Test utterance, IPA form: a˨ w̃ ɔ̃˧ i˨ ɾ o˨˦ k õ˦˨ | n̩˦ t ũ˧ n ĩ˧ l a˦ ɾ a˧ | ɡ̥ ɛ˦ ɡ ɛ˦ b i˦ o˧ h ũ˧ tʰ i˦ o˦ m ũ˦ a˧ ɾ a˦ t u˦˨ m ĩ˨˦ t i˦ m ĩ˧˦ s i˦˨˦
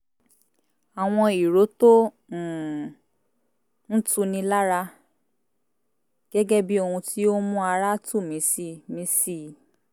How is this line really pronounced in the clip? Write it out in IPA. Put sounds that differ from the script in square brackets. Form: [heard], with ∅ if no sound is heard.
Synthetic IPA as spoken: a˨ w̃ ɔ̃˧ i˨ ɾ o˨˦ [t] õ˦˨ | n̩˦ t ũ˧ n ĩ˧ l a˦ ɾ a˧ | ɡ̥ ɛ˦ ɡ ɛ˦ b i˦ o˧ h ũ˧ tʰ i˦ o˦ m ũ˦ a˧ ɾ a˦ t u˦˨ m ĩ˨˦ [s] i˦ m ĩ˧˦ s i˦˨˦